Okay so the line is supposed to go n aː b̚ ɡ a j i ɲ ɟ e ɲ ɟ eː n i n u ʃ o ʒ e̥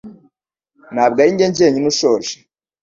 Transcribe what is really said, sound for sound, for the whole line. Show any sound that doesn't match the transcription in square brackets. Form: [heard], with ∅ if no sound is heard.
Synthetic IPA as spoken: n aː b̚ ɡ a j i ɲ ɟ e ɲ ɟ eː [ɲ] i n u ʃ o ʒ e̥